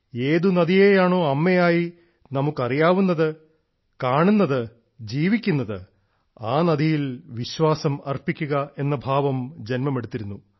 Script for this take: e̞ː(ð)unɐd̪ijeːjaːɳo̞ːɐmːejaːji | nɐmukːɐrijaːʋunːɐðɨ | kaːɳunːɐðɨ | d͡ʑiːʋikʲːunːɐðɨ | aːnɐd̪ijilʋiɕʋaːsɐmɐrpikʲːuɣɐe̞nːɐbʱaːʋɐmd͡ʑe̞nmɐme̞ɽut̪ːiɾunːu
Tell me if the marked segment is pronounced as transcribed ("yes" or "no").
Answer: yes